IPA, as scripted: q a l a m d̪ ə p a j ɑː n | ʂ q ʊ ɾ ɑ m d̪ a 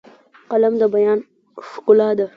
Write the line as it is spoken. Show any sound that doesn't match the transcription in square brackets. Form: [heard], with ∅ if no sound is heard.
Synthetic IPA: q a l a m d̪ ə [b] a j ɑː n | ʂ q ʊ [l] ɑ [∅] d̪ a